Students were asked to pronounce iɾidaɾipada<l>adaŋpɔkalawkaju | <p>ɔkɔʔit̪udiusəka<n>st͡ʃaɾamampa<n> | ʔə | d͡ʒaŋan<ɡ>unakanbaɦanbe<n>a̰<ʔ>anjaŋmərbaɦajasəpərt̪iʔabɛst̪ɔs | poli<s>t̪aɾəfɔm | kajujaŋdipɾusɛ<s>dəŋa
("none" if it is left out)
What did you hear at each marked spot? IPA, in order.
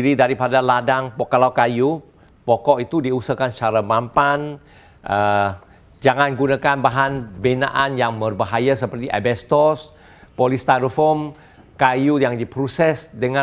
l, p, n, n, ɡ, n, ʔ, s, s

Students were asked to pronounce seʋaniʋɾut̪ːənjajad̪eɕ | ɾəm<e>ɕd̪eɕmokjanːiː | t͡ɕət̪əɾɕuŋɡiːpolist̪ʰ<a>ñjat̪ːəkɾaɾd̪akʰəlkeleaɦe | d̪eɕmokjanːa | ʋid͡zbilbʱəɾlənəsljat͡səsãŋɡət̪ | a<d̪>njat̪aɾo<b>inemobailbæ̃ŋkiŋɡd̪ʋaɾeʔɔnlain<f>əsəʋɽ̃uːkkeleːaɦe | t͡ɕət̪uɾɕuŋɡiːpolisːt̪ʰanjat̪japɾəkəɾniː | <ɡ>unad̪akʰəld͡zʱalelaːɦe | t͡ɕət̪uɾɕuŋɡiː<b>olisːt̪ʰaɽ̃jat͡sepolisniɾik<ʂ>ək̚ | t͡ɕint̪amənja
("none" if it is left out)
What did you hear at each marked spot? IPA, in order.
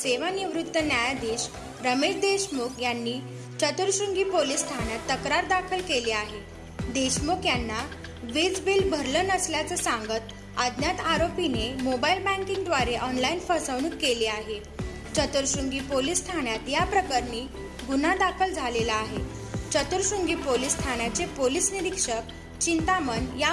e, a, d̪, p, f, ɡ, p, ʂ

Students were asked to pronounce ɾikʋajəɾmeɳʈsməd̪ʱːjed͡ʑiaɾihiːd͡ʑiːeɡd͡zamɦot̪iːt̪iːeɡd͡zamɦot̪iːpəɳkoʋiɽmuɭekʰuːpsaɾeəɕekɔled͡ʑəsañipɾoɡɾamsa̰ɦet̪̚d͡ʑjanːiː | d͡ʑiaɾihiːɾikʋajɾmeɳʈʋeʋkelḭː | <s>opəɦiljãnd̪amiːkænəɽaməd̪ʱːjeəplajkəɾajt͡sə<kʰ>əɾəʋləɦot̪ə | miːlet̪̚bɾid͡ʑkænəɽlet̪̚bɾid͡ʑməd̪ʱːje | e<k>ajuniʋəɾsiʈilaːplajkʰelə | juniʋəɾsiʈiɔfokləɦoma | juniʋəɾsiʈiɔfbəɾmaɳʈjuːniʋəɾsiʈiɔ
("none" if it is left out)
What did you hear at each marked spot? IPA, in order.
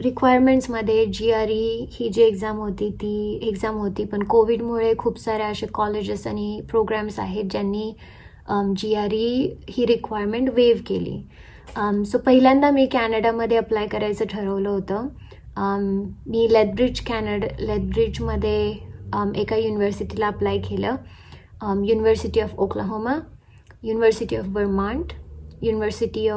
s, ʈʰ, k

